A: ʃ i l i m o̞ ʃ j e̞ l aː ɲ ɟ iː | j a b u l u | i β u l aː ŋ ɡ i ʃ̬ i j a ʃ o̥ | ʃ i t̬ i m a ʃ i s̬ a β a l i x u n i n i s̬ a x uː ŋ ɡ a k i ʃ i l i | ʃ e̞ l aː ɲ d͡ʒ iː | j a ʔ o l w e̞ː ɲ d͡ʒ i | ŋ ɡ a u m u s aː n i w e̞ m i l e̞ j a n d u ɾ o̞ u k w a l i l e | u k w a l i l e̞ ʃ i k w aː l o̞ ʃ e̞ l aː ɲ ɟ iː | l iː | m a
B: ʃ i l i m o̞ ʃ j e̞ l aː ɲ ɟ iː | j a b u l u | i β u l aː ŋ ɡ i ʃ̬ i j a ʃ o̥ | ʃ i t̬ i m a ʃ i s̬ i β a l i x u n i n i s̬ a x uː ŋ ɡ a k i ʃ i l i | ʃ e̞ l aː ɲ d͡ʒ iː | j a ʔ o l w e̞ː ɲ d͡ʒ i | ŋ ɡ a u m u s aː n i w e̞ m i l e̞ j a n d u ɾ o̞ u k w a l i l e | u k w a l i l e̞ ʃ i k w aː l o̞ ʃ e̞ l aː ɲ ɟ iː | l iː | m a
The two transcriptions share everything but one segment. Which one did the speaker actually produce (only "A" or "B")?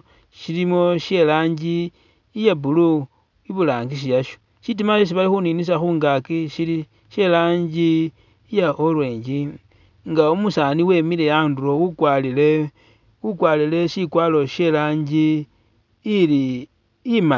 B